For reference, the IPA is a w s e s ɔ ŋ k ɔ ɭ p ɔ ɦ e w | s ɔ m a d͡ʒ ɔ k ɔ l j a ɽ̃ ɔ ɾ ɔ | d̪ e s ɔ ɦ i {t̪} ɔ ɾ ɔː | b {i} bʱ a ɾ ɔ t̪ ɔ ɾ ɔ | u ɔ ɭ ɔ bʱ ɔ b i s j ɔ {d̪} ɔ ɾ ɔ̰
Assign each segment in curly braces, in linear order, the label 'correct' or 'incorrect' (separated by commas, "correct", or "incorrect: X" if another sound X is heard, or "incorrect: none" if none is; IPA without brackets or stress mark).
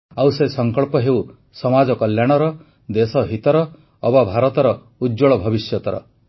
correct, incorrect: a, incorrect: t̪